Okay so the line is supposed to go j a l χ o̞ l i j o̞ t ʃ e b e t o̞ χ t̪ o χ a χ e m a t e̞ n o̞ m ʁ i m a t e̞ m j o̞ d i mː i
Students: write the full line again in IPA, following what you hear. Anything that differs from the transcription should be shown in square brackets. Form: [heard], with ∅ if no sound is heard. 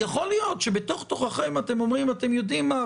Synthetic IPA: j a [∅] χ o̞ l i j o̞ t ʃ e b e t o̞ χ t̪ o χ a χ e m a t e̞ [m] o̞ m ʁ i m a t e̞ m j o̞ d i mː [a]